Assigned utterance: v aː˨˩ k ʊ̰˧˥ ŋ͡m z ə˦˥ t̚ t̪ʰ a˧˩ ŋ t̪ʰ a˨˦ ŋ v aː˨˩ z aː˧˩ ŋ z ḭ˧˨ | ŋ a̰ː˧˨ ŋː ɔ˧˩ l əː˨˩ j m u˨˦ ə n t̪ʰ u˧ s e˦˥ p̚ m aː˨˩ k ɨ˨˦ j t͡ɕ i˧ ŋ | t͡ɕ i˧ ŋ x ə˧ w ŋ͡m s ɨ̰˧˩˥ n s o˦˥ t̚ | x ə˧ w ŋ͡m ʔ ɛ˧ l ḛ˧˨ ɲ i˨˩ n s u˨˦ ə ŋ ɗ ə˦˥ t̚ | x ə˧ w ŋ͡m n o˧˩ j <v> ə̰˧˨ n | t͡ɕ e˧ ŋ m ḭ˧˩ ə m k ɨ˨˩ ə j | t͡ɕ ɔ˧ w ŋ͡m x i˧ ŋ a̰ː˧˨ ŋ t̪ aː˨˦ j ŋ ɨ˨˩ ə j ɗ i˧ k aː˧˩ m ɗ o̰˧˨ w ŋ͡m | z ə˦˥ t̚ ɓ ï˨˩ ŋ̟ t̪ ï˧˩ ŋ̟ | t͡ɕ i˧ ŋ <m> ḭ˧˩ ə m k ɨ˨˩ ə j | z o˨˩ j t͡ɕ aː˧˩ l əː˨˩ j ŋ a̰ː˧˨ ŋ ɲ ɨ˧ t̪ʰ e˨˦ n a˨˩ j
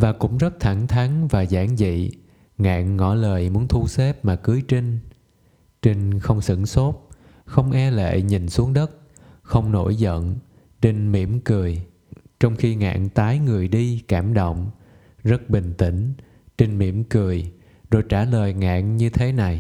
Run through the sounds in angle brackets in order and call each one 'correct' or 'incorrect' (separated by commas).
incorrect, correct